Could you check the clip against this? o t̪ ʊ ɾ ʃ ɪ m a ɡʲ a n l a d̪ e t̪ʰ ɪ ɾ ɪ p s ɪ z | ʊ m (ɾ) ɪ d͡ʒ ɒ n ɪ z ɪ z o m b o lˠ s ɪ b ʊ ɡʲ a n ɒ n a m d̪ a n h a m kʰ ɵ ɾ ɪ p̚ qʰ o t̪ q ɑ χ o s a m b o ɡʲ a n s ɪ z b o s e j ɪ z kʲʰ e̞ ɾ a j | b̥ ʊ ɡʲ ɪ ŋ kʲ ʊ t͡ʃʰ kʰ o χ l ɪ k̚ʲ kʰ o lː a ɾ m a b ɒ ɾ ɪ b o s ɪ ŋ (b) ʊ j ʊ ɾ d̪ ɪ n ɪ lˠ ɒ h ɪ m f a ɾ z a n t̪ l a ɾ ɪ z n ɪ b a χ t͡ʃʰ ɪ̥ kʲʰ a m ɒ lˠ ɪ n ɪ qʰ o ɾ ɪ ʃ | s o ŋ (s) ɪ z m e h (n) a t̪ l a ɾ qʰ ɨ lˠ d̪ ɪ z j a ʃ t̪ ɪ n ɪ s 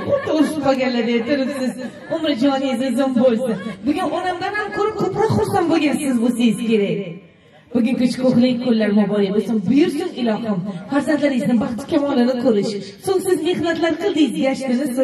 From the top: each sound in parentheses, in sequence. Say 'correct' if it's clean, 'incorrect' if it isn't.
correct, correct, correct, correct

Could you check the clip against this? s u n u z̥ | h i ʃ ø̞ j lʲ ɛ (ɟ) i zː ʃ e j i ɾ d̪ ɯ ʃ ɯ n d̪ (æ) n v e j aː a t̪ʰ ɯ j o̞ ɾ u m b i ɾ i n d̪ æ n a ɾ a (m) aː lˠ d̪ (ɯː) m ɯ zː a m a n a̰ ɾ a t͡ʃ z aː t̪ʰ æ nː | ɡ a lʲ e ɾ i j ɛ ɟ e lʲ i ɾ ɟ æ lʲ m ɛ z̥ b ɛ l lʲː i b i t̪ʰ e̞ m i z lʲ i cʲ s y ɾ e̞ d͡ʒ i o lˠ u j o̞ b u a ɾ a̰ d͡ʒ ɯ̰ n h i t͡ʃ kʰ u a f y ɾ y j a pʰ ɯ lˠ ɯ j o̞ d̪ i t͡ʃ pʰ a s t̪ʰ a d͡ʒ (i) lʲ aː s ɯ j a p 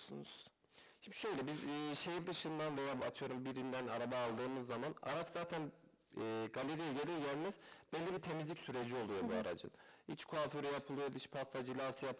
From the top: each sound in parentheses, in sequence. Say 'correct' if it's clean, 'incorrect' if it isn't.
incorrect, incorrect, incorrect, correct, correct

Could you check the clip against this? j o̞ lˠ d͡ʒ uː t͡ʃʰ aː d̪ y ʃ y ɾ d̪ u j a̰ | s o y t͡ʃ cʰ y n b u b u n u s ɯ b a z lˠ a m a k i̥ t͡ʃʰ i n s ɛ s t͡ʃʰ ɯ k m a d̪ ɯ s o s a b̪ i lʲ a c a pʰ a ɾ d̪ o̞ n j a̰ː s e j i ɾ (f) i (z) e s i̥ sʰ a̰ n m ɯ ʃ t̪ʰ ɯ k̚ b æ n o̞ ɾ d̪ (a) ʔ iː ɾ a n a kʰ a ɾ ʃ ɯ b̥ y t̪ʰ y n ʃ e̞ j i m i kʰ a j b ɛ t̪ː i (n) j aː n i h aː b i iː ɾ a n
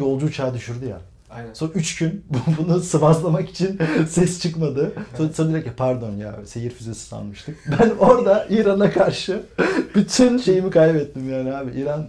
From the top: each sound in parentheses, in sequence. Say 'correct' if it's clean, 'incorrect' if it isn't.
correct, correct, correct, incorrect

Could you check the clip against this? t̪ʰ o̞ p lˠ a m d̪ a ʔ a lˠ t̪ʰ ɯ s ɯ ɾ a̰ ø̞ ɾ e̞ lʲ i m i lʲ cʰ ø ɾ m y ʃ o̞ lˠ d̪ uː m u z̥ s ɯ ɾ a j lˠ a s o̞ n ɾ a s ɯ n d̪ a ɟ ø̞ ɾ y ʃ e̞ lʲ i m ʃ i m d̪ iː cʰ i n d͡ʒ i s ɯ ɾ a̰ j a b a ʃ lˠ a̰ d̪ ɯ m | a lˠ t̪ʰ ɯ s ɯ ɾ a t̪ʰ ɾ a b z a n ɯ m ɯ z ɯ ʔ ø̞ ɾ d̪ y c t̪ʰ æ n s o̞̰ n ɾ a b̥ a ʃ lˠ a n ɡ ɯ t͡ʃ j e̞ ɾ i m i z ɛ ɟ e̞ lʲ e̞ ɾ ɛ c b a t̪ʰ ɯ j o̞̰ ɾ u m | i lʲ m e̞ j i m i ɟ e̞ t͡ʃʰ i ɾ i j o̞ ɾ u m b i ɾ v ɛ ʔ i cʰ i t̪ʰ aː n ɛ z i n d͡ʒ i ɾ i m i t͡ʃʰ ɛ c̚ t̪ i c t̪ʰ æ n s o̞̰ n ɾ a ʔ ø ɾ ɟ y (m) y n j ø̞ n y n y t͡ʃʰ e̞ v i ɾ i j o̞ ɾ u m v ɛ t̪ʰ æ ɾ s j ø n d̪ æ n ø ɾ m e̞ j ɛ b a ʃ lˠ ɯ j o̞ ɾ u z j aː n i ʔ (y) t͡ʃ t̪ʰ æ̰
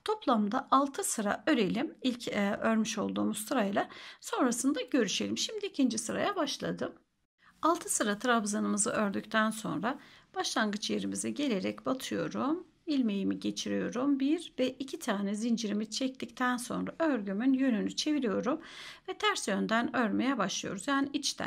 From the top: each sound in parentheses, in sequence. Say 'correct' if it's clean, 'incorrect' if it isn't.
correct, incorrect

